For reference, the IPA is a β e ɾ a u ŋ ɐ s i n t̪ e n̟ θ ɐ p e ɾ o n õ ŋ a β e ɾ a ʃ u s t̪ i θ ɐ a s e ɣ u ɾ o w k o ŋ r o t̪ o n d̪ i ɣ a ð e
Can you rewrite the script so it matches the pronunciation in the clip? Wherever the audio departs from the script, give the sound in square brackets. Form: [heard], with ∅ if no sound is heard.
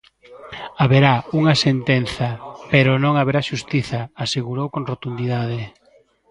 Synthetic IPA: a β e ɾ a u ŋ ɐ s [e] n t̪ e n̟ θ ɐ p e ɾ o n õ ŋ a β e ɾ a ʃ u s t̪ i θ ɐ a s e ɣ u ɾ o w k o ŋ r o t̪ [u] n d̪ i [ð] a ð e